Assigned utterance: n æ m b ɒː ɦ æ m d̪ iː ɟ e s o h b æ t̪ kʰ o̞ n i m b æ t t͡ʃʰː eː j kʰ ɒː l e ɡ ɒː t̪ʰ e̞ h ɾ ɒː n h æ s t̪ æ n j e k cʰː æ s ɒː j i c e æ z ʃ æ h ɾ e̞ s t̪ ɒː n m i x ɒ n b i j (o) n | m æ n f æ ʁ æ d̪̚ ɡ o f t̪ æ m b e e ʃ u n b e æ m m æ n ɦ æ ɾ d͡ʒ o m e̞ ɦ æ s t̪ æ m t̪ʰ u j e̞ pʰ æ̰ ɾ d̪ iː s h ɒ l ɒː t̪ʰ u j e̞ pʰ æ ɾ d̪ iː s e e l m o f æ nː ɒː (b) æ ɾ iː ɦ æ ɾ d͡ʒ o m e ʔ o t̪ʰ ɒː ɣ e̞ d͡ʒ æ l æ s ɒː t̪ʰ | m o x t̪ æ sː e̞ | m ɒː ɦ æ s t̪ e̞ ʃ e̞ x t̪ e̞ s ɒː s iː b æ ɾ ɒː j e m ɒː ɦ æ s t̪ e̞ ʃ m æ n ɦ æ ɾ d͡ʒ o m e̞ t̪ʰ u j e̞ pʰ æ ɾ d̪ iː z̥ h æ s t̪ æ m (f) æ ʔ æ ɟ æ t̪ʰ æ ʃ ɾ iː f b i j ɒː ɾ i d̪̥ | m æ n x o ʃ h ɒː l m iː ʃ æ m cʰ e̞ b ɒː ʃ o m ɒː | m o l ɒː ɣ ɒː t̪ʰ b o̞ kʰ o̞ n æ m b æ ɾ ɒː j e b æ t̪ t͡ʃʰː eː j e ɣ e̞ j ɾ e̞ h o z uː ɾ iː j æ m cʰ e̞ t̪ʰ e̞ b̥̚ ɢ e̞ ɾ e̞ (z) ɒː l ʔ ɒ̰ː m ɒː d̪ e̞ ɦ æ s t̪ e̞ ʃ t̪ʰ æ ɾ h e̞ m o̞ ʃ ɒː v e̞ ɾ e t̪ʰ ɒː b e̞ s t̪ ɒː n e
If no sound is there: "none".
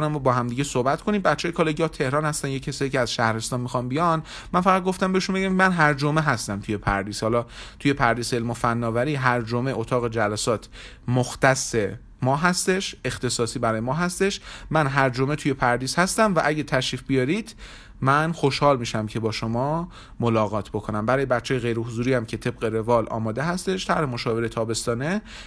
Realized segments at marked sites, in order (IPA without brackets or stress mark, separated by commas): ɒ, v, v, v